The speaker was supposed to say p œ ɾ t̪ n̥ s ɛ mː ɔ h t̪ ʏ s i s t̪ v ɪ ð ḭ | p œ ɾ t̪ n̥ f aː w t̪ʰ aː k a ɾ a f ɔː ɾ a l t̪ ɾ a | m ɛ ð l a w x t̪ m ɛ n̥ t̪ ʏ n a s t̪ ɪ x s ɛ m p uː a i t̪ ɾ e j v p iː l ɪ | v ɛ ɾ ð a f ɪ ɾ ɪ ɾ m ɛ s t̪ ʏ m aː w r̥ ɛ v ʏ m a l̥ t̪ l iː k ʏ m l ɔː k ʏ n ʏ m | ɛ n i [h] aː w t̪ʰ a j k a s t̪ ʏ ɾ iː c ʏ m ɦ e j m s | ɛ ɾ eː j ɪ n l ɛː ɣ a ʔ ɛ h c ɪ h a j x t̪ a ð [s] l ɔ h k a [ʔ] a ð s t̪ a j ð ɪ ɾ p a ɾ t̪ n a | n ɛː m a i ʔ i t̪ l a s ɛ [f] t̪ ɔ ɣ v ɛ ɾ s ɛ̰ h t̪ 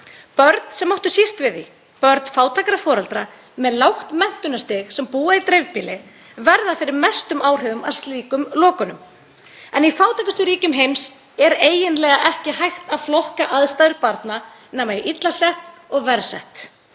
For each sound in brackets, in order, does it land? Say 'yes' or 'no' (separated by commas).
no, no, yes, no